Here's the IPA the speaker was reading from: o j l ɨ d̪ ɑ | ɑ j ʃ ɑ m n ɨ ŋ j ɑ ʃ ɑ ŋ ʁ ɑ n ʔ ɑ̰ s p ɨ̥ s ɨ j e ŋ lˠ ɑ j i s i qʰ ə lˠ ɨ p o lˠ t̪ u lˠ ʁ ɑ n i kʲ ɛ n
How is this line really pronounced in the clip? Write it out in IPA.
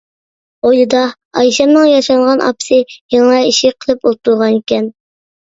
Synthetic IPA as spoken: o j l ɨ d̪ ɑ | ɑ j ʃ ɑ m n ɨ ŋ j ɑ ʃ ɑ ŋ ʁ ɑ n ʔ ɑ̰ p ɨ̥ s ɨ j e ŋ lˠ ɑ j i ʃ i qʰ ə lˠ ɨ p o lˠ t̪ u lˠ ʁ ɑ n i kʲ ɛ n